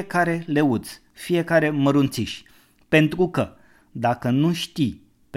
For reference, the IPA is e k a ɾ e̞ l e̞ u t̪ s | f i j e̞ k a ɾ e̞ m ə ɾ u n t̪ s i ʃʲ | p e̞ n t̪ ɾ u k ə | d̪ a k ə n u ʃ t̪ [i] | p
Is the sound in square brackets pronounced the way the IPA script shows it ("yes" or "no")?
yes